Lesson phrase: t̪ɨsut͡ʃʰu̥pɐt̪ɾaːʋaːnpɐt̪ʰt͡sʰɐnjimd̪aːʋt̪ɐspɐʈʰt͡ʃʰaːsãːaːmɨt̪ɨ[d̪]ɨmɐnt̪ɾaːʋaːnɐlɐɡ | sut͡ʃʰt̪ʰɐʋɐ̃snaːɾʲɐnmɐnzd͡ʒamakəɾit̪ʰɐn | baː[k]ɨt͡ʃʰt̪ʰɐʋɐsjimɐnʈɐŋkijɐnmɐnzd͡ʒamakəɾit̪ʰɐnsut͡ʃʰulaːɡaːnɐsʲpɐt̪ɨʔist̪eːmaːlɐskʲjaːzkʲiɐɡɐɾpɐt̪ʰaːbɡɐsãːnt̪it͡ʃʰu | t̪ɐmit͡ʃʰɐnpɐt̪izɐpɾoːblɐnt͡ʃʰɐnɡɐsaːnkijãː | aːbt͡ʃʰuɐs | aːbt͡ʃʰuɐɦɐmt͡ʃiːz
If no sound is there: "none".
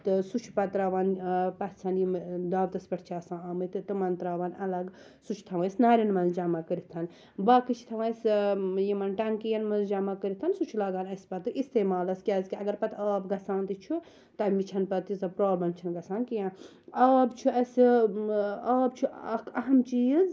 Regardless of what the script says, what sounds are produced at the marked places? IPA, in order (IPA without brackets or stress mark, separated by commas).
t̪, k